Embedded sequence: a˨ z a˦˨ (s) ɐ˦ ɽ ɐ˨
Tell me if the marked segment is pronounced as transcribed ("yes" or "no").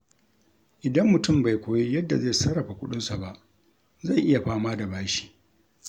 yes